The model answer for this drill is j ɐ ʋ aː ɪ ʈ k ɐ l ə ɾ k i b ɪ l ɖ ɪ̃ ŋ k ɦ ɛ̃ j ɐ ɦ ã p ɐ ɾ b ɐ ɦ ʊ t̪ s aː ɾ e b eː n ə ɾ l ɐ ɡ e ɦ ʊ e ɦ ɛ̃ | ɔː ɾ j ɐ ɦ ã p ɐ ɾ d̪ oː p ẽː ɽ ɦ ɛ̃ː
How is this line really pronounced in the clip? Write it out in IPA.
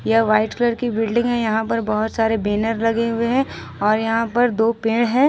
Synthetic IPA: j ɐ ʋ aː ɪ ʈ k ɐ l ə ɾ k i b ɪ l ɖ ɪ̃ ŋ ɡ ɦ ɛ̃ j ɐ ɦ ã p ɐ ɾ b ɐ ɦ ʊ t̪ s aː ɾ e b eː n ə ɾ l ɐ ɡ e ɦ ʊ e ɦ ɛ̃ | ɔː ɾ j ɐ ɦ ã p ɐ ɾ d̪ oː p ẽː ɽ ɦ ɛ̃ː